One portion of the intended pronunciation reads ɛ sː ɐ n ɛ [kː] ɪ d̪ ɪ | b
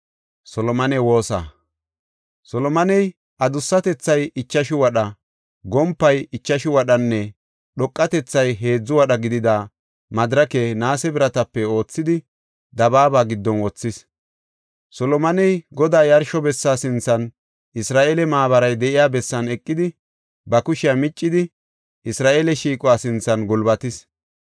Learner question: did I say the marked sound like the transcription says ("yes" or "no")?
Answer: no